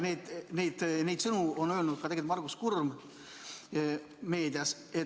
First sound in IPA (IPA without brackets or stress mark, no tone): n